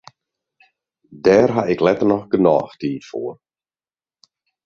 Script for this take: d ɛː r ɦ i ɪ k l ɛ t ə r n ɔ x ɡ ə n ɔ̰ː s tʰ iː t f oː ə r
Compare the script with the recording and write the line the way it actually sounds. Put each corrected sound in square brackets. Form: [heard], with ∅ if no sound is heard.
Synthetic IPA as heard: d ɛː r ɦ [a] ɪ k l ɛ t ə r n ɔ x ɡ ə n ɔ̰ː [x] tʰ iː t f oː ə r